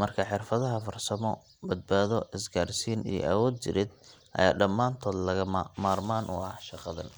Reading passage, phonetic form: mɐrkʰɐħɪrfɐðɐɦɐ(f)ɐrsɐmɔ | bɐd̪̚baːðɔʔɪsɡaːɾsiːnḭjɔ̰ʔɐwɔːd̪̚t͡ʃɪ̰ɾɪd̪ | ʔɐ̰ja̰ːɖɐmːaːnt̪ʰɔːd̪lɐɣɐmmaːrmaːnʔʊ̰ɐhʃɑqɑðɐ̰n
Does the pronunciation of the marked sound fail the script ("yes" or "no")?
no